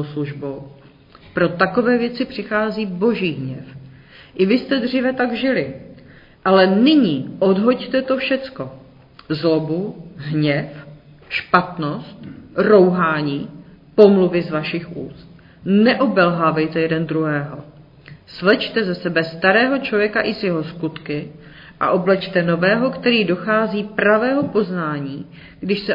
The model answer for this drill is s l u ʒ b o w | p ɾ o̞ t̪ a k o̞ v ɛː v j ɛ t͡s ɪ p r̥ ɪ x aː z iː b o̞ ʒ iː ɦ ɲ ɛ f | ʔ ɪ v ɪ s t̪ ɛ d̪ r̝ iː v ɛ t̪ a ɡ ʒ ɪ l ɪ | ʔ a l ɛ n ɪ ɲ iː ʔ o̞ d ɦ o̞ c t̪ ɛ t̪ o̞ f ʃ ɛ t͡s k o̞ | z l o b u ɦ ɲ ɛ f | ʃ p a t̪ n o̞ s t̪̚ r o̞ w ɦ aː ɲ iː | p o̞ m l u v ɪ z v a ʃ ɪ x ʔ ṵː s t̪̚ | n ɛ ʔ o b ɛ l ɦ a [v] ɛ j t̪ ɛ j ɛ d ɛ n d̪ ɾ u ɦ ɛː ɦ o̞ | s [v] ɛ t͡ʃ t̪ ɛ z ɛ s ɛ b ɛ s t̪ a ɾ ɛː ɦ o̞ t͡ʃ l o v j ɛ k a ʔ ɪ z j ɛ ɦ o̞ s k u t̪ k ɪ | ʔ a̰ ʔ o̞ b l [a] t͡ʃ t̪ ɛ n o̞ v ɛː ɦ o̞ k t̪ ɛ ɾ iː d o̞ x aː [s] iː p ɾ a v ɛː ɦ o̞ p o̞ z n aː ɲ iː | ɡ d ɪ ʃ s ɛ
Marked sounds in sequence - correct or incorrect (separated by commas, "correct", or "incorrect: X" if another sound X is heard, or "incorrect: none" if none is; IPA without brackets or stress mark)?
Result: correct, correct, incorrect: ɛ, incorrect: z